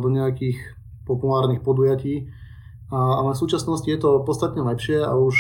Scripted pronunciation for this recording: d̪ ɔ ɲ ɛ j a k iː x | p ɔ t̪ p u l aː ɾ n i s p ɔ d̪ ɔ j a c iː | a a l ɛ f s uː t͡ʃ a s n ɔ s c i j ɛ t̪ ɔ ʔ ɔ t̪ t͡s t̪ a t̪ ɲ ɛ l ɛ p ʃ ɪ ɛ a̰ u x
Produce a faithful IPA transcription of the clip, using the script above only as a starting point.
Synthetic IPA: d̪ ɔ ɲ ɛ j a k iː x | p ɔ p u l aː ɾ n i x p ɔ d̪ u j a c iː | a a l ɛ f s uː t͡ʃ a s n ɔ s c i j ɛ t̪ ɔ p ɔ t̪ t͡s t̪ a t̪ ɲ ɛ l ɛ p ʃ ɪ ɛ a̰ u ʃ